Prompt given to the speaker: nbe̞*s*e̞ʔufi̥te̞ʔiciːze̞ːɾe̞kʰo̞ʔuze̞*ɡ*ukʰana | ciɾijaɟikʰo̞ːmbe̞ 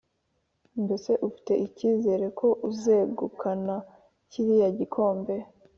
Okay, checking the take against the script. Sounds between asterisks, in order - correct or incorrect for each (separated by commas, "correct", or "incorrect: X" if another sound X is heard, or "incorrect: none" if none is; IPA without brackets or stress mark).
correct, correct